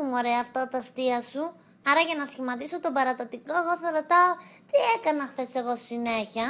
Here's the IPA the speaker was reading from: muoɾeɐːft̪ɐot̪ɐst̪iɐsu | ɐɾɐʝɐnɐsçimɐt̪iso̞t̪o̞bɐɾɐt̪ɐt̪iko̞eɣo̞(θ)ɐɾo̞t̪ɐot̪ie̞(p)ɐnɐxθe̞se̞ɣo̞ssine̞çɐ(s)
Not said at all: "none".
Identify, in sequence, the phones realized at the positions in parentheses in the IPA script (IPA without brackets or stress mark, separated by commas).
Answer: θ, k, none